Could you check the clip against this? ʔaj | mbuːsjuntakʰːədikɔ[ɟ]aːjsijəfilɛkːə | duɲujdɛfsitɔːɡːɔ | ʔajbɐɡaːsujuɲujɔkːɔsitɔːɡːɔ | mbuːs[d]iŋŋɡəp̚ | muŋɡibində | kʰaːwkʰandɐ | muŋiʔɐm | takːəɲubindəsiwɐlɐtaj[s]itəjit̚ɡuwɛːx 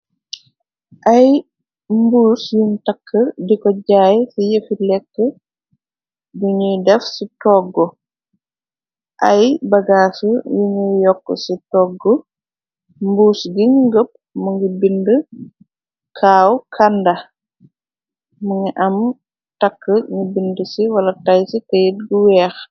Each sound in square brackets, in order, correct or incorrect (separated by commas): correct, incorrect, correct